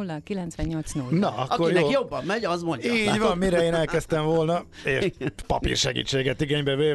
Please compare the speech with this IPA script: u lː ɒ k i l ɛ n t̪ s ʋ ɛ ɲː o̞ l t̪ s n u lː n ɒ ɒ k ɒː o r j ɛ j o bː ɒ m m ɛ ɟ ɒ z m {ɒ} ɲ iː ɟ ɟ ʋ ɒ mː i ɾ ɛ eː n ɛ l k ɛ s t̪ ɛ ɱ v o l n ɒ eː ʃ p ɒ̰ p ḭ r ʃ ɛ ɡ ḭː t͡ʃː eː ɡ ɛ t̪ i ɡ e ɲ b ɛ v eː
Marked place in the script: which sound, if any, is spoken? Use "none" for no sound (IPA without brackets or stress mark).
o